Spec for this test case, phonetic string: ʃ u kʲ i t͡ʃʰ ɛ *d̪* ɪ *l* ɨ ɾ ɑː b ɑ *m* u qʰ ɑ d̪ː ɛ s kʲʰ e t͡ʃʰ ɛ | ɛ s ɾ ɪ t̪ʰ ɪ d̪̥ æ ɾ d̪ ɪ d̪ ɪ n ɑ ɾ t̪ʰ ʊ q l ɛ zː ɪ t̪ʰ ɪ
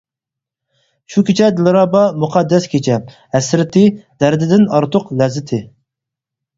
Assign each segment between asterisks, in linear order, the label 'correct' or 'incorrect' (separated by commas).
correct, correct, correct